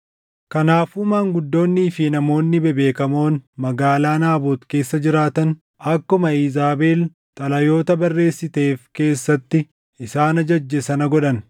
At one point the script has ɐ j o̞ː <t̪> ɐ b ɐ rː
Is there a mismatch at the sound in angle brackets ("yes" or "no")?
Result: no